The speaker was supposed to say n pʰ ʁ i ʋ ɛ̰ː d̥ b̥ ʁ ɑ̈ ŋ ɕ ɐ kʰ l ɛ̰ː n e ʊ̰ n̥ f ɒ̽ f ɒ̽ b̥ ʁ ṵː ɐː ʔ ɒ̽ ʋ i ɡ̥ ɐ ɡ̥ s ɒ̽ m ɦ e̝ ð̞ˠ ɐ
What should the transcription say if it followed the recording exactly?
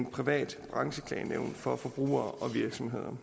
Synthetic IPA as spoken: n pʰ ʁ i ʋ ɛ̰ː d̥ b̥ ʁ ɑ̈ ŋ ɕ ə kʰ l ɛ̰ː n e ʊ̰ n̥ f ɒ̽ f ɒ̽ b̥ ʁ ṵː ɐː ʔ ɒ̽ ʋ i ɐ ɡ̥ s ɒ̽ m ɦ e̝ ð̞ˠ ɐ